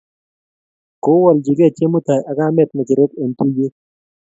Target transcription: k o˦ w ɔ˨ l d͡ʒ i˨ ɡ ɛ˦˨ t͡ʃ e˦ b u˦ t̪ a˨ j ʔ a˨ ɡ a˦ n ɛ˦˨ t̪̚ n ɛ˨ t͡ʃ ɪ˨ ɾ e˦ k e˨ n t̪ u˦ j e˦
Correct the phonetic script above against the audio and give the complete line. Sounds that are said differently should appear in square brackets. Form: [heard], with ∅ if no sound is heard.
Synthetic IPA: k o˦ w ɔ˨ l d͡ʒ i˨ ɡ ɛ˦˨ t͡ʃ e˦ [m] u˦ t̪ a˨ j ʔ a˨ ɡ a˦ [m] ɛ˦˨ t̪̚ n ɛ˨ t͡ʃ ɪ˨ ɾ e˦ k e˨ n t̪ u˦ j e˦